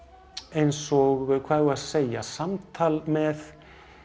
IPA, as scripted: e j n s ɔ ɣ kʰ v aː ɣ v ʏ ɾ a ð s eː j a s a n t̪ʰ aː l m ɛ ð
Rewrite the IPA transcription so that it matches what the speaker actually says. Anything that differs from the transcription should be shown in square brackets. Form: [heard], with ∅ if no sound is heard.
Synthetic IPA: e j n s ɔ ɣ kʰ v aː [ð] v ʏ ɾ a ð s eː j a s a [m] t̪ʰ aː l m ɛ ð